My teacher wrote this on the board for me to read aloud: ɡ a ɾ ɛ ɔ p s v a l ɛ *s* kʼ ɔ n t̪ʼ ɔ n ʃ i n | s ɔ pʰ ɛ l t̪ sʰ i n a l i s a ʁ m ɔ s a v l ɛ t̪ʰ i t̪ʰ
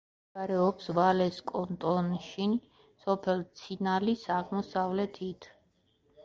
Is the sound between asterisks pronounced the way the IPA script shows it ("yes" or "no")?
yes